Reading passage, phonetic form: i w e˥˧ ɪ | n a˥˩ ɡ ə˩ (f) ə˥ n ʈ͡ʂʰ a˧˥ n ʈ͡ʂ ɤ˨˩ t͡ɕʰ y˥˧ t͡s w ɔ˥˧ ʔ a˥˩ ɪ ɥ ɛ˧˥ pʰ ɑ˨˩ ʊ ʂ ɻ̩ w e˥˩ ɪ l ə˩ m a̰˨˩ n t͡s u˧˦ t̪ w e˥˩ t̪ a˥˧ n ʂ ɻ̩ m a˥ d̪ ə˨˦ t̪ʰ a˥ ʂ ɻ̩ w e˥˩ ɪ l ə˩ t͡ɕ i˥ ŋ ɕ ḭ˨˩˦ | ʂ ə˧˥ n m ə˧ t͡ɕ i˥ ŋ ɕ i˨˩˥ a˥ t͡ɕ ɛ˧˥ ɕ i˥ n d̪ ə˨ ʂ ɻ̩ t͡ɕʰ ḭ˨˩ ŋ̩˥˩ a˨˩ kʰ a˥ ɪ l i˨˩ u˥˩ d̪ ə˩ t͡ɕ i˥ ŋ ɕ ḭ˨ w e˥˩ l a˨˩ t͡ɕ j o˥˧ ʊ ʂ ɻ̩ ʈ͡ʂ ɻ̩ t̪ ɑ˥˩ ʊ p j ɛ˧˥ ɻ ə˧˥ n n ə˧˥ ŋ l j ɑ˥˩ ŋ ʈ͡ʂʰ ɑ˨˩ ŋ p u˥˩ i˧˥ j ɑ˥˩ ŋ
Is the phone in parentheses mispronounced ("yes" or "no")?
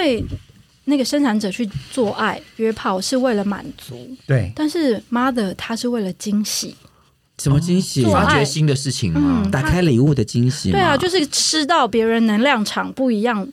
yes